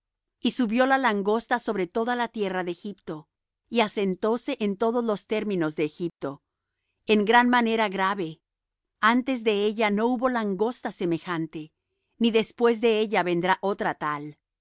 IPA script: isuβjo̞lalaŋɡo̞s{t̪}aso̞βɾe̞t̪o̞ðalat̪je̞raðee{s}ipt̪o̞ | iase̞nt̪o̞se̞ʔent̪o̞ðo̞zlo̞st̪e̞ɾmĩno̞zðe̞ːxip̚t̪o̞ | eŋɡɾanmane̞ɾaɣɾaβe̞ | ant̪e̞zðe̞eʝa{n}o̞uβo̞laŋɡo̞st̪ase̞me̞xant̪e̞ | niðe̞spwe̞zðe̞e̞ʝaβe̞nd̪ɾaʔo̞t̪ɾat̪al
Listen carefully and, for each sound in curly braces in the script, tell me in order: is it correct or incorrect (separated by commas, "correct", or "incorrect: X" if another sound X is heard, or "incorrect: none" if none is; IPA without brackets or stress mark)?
correct, incorrect: x, correct